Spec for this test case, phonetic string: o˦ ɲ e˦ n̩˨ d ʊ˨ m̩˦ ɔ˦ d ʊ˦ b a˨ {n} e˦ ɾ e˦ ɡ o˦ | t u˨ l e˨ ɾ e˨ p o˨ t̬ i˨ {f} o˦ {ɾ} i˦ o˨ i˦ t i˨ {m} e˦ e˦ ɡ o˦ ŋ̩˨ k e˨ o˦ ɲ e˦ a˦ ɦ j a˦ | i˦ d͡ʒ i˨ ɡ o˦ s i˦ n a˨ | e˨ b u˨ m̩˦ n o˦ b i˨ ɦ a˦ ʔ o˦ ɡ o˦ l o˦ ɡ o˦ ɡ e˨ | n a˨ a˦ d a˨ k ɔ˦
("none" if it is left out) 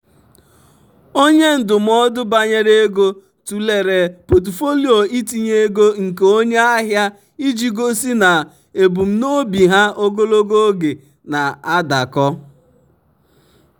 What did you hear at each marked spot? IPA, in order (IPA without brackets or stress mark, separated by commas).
ɲ, f, l, ɲ